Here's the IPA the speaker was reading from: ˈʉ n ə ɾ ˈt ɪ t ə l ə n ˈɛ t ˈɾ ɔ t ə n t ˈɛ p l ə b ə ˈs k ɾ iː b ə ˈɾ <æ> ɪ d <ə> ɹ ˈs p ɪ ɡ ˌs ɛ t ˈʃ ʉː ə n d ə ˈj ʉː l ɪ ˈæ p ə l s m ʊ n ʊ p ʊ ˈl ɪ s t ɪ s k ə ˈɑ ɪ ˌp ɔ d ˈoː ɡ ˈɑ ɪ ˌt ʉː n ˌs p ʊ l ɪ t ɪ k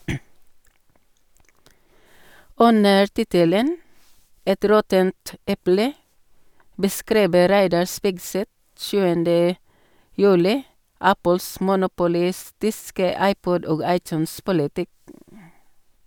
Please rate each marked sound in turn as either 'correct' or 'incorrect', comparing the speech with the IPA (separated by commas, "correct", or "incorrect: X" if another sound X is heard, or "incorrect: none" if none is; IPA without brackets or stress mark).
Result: correct, incorrect: ɑ